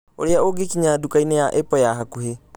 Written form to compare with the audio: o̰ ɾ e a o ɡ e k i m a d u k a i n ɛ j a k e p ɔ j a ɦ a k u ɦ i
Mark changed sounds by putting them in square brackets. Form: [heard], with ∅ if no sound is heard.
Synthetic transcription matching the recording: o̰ ɾ e a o ɡ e k i [ɲ] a d u k a i n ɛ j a [ʔ] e p ɔ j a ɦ a k u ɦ [e]